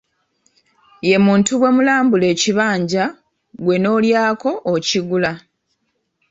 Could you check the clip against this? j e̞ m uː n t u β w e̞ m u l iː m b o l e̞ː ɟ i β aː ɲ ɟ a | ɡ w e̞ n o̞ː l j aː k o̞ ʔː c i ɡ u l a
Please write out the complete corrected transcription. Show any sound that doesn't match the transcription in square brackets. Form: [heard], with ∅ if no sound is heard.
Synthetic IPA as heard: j e̞ m uː n t u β w e̞ m u l [aː] m b [u] l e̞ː [c] i β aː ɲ ɟ a | ɡ w e̞ n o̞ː l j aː k o̞ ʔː c i ɡ u l a